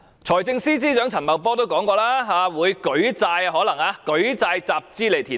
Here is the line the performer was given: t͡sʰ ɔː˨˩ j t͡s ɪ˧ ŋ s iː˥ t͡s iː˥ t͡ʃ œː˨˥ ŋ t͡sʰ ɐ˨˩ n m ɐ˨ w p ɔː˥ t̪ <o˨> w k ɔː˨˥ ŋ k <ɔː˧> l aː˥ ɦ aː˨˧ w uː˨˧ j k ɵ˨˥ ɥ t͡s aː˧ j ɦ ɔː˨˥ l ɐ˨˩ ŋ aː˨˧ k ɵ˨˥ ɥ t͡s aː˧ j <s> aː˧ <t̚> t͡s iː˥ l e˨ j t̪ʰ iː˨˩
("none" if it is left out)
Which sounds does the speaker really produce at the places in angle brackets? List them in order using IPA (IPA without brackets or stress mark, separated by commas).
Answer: o˥, ɔː˧, t͡s, p̚